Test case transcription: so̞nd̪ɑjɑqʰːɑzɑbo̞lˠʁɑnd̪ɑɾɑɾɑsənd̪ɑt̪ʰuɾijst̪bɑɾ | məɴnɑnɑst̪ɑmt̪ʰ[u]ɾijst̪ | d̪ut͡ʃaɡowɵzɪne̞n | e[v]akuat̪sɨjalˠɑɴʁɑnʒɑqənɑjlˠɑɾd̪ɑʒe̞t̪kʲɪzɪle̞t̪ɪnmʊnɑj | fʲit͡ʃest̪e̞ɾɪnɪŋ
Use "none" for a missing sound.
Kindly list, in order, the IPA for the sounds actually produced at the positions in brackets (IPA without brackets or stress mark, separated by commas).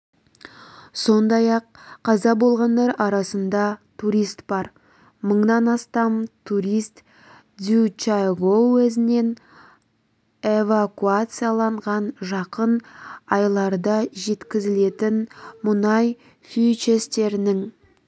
u, v